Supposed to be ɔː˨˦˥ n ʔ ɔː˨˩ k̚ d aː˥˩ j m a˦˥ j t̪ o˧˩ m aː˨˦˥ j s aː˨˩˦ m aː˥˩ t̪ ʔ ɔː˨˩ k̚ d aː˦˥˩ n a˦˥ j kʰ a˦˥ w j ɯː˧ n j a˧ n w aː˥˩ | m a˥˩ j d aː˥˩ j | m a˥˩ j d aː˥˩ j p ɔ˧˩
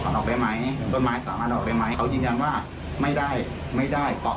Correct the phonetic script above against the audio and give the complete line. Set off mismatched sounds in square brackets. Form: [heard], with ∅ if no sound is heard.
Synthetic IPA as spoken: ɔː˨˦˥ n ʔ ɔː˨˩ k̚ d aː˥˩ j m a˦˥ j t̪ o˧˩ m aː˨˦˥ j s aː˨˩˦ m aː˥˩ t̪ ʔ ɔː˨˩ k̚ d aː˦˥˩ [m] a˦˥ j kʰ a˦˥ w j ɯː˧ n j a˧ n w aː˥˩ | m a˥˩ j d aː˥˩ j | m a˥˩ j d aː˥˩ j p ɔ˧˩